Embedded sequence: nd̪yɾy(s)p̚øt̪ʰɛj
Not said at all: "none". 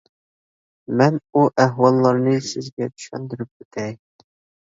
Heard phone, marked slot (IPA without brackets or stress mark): none